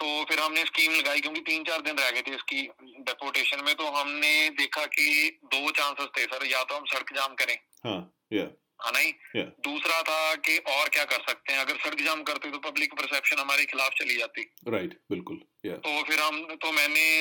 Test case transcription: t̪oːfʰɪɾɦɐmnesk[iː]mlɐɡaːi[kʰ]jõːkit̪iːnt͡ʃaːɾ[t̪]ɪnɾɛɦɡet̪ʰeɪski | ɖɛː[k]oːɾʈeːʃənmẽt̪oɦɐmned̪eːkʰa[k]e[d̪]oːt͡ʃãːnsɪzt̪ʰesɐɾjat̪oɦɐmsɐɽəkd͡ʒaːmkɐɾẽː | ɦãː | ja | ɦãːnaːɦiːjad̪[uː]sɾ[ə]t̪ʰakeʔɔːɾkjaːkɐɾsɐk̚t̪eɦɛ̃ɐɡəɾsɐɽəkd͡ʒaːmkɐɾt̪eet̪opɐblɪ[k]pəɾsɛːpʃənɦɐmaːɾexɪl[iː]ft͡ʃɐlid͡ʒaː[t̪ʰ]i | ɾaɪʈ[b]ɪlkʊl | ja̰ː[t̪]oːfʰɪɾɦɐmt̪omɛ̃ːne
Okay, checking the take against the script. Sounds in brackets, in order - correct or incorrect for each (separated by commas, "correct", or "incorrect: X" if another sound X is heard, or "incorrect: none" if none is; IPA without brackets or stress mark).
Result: correct, incorrect: k, incorrect: d̪, incorrect: p, correct, correct, correct, incorrect: a, correct, incorrect: aː, incorrect: t̪, correct, correct